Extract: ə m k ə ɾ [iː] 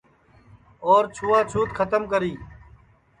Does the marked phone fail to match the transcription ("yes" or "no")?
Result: no